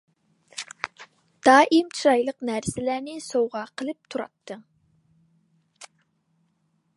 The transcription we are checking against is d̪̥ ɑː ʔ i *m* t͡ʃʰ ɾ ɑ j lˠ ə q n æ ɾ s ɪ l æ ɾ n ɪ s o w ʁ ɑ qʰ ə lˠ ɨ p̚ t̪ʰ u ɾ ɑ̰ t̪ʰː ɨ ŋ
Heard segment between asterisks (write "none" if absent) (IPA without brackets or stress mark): m